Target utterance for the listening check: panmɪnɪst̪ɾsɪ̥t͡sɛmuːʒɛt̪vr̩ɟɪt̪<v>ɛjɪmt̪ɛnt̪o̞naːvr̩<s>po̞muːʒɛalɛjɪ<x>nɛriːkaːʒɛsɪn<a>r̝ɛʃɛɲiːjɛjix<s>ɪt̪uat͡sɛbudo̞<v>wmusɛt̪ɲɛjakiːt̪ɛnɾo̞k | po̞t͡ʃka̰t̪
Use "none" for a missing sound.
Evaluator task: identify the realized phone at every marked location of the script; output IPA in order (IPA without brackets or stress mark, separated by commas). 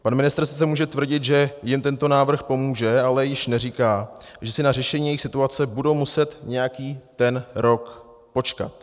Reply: ʒ, x, ʃ, a, s, none